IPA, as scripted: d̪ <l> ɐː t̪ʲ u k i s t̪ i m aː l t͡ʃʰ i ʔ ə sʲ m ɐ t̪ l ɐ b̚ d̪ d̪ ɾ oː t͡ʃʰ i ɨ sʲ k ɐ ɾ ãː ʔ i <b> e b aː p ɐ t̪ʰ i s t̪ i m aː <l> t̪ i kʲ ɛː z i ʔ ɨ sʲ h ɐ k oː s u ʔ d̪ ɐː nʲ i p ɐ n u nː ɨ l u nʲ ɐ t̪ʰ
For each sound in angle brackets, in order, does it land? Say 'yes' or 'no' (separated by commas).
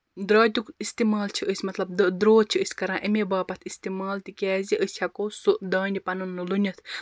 no, no, yes